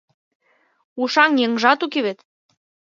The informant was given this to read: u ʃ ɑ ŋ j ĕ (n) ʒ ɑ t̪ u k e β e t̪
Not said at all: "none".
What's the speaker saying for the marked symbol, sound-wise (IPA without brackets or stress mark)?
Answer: ŋ